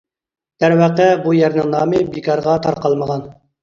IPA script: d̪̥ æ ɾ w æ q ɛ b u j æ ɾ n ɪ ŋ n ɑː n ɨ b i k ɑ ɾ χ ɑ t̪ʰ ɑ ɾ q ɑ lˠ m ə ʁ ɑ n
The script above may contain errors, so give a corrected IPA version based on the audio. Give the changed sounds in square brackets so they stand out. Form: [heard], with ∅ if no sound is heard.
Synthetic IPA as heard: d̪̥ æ ɾ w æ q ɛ b u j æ ɾ n ɪ ŋ n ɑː [m] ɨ b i k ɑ ɾ [ʁ] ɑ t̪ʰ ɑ ɾ q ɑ lˠ m ə ʁ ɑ n